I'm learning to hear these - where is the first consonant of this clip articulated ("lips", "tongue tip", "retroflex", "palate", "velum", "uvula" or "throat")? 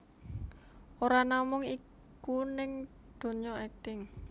tongue tip